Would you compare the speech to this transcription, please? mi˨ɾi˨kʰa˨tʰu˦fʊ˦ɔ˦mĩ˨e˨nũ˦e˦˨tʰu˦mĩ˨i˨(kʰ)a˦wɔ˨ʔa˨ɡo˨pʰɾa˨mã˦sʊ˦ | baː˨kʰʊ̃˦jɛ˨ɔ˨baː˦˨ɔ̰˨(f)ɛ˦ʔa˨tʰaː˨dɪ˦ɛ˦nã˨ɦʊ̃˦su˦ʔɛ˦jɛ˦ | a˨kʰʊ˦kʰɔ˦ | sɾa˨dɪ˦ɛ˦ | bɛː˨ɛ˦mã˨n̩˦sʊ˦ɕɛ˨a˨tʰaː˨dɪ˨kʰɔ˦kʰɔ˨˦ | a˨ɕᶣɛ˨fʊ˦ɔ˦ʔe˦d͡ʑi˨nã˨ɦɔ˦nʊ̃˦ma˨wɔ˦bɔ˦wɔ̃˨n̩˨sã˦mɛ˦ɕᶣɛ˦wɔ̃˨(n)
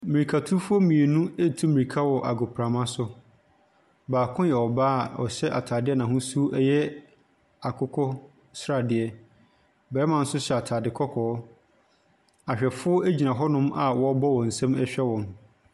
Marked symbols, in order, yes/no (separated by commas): yes, no, no